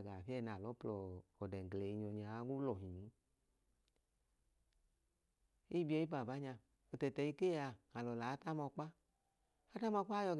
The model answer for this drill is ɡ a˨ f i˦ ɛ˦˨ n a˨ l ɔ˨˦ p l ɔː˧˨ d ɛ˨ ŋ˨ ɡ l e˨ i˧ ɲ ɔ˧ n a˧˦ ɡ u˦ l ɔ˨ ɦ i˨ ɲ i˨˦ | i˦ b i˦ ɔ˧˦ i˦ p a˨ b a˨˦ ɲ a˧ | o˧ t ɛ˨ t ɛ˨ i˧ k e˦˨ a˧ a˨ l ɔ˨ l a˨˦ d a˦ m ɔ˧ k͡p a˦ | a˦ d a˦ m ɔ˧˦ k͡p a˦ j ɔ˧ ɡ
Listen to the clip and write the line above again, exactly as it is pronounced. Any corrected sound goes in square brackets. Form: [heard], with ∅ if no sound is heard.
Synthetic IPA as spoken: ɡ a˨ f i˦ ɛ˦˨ n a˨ l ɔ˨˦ p l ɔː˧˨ d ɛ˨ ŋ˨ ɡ l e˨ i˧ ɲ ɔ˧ [ɲ] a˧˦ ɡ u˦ l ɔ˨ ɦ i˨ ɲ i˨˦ | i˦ b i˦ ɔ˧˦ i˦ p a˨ b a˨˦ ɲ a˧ | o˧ t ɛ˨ t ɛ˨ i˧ k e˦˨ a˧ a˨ l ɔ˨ l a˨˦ [t] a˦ m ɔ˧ k͡p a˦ | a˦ [t] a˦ m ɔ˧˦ k͡p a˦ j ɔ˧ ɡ